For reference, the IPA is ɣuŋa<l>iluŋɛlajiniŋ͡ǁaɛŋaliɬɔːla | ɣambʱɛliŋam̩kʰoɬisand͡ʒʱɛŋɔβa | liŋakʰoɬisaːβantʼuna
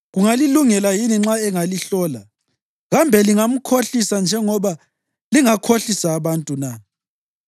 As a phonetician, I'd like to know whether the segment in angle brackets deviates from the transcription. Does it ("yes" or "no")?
no